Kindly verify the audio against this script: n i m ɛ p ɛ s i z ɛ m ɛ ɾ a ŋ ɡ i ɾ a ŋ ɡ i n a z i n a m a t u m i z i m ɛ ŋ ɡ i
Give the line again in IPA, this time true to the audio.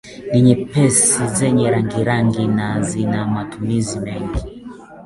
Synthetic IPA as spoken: n i ɲ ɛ p ɛ s i z ɛ ɲ ɛ ɾ a ŋ ɡ i ɾ a ŋ ɡ i n a z i n a m a t u m i z i m ɛ ŋ ɡ i